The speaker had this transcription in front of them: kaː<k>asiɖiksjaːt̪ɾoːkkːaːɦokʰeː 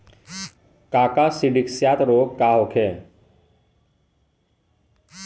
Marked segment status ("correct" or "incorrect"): correct